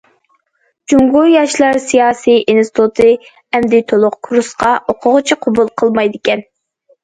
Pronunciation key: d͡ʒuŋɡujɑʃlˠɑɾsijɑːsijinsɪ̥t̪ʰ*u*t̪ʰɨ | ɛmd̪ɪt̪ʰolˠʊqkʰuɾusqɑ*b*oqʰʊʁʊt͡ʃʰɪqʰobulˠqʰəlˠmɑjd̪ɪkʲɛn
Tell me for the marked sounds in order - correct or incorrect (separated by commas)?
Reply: correct, incorrect